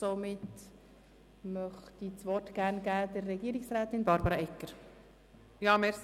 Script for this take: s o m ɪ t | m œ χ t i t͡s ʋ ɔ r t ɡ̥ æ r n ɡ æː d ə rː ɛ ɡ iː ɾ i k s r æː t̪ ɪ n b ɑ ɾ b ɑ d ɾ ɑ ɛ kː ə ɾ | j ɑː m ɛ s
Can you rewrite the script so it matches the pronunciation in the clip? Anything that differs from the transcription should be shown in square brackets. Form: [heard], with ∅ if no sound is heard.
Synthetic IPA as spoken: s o m ɪ t | m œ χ t i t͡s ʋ ɔ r t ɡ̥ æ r n ɡ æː d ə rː ɛ ɡ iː ɾ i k s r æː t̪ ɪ n b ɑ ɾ b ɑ [∅] ɾ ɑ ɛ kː ə ɾ | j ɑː m ɛ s